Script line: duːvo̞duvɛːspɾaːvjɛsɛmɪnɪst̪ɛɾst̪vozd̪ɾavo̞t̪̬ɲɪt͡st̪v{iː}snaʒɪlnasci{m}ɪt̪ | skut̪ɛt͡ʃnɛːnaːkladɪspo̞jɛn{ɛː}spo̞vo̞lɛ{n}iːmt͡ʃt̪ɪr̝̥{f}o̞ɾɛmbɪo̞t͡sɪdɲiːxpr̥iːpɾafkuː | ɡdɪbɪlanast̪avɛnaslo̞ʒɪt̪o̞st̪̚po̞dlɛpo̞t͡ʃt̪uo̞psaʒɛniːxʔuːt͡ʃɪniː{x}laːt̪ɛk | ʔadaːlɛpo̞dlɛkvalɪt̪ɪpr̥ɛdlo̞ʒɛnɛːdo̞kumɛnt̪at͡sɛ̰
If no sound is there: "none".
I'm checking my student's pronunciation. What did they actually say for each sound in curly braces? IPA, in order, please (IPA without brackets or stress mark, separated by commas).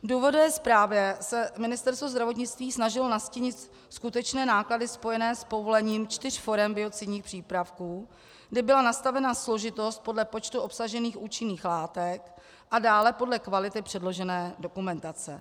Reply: iː, ɲ, ɛː, ɲ, f, x